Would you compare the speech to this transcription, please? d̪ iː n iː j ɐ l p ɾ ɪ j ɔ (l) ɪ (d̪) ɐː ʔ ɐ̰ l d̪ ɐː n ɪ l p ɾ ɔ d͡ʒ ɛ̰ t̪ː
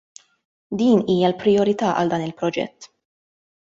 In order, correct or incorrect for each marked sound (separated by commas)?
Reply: incorrect, incorrect